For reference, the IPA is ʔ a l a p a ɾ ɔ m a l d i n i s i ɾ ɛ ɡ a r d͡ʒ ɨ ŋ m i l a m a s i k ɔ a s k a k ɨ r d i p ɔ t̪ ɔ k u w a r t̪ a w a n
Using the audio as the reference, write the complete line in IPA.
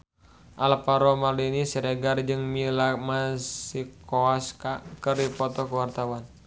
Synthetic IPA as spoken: ʔ a l a p a ɾ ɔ m a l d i n i s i ɾ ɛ ɡ a r d͡ʒ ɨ ŋ m i l a m a s i k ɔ a s k a k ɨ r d i p ɔ t̪ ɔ k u w a r t̪ a w a n